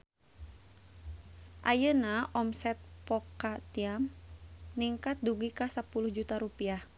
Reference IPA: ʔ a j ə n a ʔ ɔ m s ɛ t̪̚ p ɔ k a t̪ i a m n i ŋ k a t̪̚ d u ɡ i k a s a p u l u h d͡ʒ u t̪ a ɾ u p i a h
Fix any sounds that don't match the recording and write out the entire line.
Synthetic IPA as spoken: ʔ a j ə n a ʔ ɔ m s ɛ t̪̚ p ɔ k a t̪ i a m n i ŋ k a t̪̚ d u ɡ i k a s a p u l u h d͡ʒ u t̪ a ɾ u p i a h

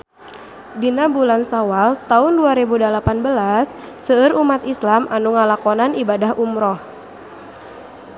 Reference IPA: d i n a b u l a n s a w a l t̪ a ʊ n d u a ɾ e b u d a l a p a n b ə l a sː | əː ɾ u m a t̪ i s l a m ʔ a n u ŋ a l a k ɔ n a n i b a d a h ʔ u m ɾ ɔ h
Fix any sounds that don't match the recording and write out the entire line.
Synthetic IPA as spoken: d i n a b u l a n s a w a l t̪ a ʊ n d u a ɾ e b u d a l a p a n b ə l a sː | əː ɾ u m a t̪ i s l a m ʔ a n u ŋ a l a k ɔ n a n i b a d a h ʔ u m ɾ ɔ h

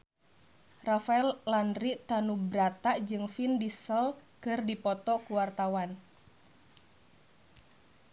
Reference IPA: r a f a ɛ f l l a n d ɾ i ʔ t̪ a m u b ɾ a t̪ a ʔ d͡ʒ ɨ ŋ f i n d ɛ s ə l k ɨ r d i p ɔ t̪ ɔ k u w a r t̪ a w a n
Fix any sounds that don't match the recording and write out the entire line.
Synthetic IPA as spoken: r a f a ɛ l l a n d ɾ i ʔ t̪ a n u b ɾ a t̪ a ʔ d͡ʒ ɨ ŋ f i n d i s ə l k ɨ r d i p ɔ t̪ ɔ k u w a r t̪ a w a n

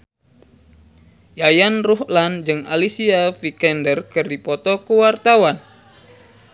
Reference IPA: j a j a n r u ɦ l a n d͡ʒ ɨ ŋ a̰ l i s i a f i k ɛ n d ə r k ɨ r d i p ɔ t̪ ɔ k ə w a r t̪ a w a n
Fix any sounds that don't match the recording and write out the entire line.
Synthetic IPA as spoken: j a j a n r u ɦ l a n d͡ʒ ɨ ŋ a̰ l i s i a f i k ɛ n d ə r k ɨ r d i p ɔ t̪ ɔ k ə w a r t̪ a w a n

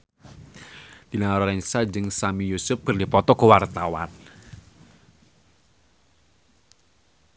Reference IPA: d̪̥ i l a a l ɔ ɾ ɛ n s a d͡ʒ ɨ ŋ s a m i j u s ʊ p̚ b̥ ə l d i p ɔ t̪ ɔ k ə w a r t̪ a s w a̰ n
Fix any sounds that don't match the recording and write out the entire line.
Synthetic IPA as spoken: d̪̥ i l a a ɾ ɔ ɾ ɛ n s a d͡ʒ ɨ ŋ s a m i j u s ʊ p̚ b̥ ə r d i p ɔ t̪ ɔ k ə w a r t̪ a w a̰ n

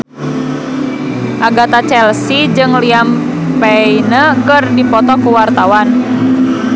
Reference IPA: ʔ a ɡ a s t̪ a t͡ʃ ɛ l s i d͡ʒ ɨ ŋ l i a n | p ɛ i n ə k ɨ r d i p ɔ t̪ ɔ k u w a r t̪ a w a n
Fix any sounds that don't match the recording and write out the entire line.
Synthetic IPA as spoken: ʔ a ɡ a t̪ a t͡ʃ ɛ l s i d͡ʒ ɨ ŋ l i a m | p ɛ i n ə k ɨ r d i p ɔ t̪ ɔ k u w a r t̪ a w a n

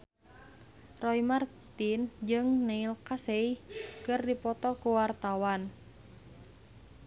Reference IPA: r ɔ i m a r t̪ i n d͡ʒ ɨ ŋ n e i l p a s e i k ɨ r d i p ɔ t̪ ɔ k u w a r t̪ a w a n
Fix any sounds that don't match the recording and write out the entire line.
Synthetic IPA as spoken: r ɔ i m a r t̪ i n d͡ʒ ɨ ŋ n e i l k a s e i k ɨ r d i p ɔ t̪ ɔ k u w a r t̪ a w a n

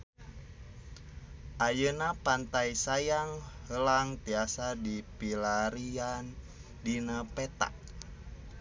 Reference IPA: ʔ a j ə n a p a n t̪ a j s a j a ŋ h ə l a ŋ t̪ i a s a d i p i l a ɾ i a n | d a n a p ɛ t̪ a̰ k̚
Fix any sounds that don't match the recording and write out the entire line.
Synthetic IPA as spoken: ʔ a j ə n a p a n t̪ a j s a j a ŋ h ə l a ŋ t̪ i a s a d i p i l a ɾ i a n | d i n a p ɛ t̪ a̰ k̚

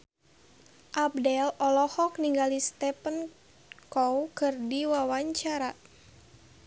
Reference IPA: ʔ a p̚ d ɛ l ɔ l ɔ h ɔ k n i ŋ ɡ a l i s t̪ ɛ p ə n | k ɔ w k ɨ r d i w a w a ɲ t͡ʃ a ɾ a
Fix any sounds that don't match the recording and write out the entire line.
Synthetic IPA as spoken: ʔ a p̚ d ɛ l ɔ l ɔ h ɔ k n i ŋ ɡ a l i s t̪ ɛ p ə n | k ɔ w k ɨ r d i w a w a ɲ t͡ʃ a ɾ a

